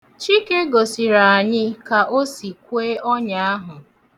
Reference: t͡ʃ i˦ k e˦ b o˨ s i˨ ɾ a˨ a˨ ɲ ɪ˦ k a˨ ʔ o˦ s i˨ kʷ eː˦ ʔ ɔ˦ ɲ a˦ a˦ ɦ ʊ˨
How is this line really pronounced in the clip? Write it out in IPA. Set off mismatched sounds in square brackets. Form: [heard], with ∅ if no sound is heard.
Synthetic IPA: t͡ʃ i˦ k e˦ [ɡ] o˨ s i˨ ɾ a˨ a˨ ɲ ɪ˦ k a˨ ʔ o˦ s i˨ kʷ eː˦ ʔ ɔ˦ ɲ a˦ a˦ ɦ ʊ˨